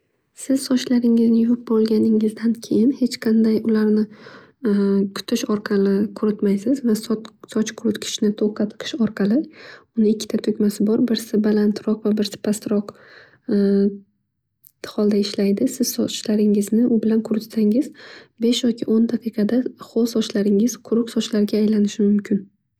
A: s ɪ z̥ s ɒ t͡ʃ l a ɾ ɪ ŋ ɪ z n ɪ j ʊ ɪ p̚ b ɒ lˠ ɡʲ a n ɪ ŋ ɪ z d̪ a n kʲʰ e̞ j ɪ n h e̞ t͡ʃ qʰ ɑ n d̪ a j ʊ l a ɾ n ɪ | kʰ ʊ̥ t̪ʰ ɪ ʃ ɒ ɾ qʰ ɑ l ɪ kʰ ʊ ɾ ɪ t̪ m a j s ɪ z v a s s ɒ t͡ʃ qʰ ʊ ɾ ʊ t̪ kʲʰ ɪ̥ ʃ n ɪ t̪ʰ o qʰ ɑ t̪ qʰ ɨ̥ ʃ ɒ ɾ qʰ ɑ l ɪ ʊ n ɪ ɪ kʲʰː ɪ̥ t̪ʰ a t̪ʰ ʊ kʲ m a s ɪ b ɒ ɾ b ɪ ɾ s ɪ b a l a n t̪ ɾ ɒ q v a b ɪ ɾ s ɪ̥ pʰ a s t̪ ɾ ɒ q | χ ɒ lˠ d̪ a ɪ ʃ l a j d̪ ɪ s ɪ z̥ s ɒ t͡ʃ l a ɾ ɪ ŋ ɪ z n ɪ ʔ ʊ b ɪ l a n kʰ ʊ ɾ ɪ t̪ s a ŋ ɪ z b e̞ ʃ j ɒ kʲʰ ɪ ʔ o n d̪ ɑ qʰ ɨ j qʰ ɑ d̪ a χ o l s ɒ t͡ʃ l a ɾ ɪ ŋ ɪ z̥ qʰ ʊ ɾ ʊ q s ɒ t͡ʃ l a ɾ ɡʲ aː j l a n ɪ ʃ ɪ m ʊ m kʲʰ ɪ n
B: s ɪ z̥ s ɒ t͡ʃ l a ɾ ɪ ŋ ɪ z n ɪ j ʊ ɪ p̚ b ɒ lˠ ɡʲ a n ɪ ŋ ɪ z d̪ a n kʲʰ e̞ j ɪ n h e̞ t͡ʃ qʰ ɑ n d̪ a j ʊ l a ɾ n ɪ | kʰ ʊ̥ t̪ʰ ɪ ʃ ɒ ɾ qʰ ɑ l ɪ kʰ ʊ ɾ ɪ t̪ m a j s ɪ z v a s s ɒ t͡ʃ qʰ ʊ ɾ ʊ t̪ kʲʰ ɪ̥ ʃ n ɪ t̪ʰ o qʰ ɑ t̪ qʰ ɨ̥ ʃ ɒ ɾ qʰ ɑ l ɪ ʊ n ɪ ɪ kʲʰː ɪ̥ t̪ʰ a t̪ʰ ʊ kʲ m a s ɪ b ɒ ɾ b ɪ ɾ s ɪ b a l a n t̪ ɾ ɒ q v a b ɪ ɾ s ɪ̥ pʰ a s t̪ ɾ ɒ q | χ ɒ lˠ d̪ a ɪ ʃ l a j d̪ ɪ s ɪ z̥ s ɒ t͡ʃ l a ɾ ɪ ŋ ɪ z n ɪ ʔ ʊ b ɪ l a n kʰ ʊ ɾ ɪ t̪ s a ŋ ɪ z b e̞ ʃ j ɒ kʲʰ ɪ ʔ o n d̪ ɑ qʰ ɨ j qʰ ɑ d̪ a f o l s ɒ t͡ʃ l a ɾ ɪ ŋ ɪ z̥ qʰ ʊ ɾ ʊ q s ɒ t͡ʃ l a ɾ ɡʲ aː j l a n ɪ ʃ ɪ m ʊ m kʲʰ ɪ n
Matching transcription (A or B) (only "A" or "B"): A